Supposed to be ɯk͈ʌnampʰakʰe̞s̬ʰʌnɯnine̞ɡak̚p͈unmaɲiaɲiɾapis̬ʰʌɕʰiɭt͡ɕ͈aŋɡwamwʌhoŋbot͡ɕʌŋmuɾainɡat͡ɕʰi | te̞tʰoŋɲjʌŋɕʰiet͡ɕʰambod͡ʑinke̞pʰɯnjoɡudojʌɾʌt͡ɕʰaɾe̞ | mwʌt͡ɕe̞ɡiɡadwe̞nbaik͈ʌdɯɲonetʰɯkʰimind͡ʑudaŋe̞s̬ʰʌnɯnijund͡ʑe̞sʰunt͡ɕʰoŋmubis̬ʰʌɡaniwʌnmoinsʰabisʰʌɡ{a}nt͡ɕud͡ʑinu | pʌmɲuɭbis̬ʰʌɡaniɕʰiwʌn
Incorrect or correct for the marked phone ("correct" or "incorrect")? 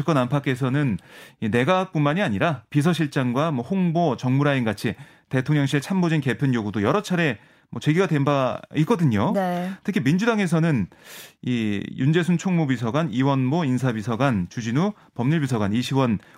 correct